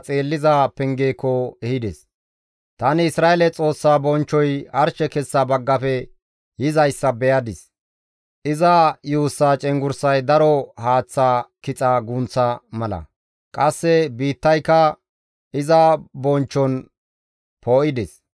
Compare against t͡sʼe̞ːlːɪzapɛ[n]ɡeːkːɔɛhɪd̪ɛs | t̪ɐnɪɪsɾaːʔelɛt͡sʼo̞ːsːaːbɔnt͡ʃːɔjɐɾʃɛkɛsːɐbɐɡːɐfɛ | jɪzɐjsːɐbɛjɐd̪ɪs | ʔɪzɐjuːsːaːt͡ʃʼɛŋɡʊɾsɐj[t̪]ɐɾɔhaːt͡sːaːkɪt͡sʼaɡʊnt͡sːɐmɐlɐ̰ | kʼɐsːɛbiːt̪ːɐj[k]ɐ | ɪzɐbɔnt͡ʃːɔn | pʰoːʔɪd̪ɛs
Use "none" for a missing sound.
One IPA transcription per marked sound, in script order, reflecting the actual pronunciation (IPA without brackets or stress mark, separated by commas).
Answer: ŋ, d̪, k